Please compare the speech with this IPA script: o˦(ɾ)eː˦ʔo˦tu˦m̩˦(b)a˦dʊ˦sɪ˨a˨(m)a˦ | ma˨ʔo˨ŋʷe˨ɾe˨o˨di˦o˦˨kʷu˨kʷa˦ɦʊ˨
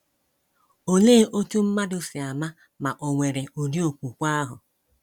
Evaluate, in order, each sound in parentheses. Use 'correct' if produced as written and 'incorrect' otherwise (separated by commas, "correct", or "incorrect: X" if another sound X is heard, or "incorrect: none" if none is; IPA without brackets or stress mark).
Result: incorrect: l, incorrect: m, correct